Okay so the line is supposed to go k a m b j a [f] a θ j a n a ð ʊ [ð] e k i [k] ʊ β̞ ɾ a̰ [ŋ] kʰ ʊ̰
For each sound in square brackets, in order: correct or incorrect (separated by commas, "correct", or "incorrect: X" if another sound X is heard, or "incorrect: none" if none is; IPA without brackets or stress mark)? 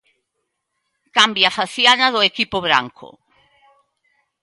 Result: correct, incorrect: none, incorrect: p, correct